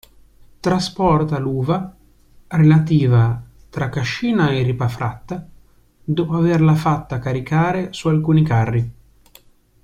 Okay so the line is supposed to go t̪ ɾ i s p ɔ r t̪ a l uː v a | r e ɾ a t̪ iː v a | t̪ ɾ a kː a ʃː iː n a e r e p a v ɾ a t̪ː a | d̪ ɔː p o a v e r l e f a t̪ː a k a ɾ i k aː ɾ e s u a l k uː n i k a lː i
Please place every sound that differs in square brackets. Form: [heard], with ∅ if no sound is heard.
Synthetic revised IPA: t̪ ɾ [a] s p ɔ r t̪ a l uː v a | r e [l] a t̪ iː v a | t̪ ɾ a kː a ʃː iː n a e r [i] p a [f] ɾ a t̪ː a | d̪ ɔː p o a v e r l [a] f a t̪ː a k a ɾ i k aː ɾ e s u a l k uː n i k a [rː] i